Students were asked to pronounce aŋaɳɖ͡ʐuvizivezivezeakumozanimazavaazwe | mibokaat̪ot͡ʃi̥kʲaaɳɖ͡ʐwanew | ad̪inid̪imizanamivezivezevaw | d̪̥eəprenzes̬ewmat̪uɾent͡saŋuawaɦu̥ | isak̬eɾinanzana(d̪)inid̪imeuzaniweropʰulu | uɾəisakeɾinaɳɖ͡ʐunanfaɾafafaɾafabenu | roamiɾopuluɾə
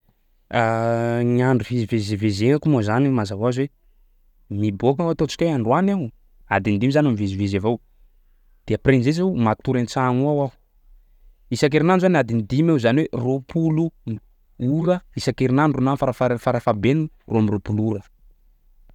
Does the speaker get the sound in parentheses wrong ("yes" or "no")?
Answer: no